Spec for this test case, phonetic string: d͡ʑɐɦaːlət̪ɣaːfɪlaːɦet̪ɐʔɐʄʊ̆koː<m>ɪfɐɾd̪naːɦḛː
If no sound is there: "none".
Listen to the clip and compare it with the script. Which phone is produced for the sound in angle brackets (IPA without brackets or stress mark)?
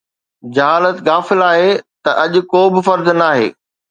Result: b